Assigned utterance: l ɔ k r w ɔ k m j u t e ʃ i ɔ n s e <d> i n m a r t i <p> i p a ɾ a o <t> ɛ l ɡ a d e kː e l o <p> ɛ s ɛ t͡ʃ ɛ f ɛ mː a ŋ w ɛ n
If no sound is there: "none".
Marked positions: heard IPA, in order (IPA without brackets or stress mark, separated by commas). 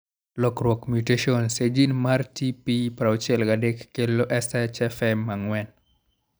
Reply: d͡ʒ, p, t͡ʃ, ʔ